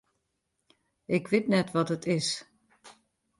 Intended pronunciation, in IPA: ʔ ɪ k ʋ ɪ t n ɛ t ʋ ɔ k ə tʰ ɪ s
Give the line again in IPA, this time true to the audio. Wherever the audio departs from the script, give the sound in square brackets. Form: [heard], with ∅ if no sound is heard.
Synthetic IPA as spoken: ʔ ɪ k ʋ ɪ t n ɛ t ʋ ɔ [t] ə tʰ ɪ s